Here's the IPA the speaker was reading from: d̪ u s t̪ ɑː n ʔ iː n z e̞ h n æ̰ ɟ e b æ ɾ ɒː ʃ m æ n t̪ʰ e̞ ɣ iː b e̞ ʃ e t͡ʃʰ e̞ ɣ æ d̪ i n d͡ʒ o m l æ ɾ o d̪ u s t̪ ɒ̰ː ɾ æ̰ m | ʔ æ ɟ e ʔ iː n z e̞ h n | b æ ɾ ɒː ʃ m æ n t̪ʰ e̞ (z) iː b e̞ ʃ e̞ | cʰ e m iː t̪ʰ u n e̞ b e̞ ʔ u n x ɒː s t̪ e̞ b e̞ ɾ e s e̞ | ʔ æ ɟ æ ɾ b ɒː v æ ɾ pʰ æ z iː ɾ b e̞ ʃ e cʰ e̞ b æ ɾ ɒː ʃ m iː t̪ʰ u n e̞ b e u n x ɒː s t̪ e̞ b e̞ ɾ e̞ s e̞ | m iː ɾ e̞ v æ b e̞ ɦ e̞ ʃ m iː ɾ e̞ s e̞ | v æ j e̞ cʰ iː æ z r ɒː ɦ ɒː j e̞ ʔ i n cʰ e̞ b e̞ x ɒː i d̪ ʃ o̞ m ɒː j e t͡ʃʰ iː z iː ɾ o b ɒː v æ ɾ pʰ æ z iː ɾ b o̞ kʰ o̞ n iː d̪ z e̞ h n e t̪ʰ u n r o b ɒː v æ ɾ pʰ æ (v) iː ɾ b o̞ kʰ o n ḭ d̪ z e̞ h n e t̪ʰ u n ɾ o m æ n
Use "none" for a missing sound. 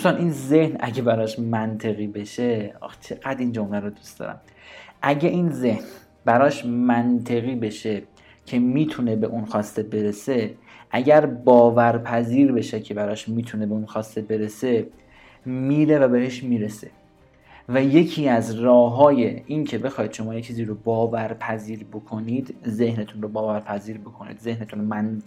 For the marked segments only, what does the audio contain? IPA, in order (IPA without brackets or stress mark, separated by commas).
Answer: ɣ, z